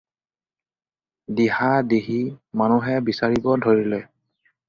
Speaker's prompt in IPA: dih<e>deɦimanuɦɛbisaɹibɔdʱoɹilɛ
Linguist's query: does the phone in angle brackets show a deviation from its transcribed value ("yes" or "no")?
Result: yes